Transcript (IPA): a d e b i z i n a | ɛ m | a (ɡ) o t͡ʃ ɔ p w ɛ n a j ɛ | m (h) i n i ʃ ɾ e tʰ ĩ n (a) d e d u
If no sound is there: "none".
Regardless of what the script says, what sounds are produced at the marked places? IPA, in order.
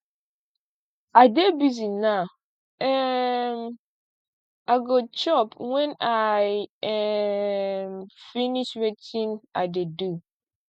ɡ, f, a

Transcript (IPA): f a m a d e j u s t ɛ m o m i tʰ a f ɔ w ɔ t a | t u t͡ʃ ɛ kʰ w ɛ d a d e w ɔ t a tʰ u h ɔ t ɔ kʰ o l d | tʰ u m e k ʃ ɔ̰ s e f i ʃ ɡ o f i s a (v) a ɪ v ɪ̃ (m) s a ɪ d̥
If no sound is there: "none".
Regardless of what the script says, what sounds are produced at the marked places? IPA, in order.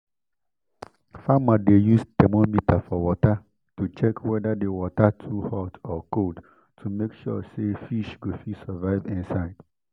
v, n

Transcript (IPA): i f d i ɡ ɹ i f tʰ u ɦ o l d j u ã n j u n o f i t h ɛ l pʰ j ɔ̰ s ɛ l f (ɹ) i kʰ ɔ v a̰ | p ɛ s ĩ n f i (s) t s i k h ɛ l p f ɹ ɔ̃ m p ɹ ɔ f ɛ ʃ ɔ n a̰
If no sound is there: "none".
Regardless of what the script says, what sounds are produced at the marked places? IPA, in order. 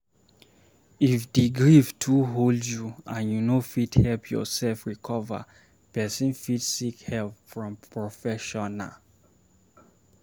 ɹ, none

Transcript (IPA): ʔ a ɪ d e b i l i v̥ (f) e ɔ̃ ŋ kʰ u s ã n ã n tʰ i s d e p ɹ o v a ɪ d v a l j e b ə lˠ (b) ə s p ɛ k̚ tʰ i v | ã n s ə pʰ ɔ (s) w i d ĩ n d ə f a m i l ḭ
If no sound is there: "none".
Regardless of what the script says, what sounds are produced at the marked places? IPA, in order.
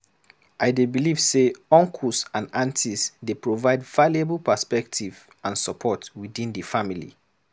s, p, t

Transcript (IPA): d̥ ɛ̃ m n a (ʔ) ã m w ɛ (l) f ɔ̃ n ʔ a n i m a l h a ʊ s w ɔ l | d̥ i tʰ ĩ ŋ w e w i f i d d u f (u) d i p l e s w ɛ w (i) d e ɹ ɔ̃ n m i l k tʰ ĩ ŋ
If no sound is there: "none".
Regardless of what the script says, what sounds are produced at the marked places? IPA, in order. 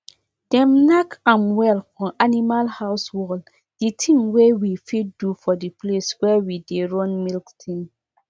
k, l, ɔ, i

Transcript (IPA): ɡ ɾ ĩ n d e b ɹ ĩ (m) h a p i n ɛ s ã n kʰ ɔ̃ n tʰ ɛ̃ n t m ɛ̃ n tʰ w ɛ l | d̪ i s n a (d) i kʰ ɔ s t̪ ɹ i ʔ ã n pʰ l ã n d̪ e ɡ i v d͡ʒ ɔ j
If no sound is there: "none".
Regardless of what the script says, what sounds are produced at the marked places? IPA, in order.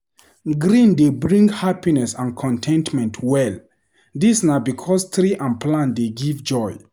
ŋ, b

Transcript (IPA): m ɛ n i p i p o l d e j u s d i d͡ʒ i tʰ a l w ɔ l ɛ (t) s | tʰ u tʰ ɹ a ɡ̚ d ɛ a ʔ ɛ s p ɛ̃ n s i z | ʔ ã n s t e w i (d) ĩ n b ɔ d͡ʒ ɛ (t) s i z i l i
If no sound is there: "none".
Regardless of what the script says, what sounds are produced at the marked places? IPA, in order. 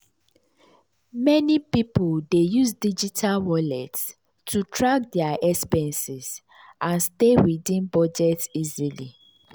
t, d, t

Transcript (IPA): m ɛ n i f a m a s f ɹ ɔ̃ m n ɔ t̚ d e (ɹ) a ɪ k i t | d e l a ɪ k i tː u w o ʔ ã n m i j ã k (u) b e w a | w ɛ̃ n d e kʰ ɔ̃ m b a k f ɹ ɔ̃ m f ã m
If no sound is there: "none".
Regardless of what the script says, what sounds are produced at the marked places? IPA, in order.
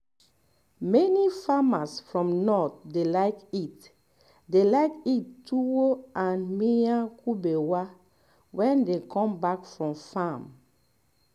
l, u

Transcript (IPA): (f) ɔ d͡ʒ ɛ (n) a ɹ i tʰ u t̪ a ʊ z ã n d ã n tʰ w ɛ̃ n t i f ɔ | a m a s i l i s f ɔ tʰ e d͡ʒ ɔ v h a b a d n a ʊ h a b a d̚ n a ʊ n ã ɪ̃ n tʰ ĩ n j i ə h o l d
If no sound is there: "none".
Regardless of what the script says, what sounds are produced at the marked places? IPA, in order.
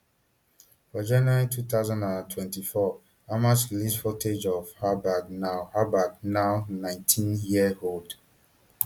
f, n

